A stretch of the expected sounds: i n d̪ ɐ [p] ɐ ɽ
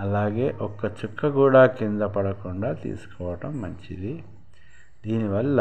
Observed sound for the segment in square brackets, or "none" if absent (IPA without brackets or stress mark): p